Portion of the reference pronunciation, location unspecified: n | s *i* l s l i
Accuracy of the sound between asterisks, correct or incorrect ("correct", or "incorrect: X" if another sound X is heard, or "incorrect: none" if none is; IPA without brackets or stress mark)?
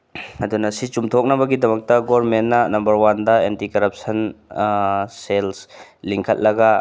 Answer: incorrect: e